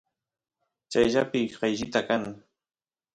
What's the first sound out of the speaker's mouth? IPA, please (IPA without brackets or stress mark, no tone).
t͡ʃ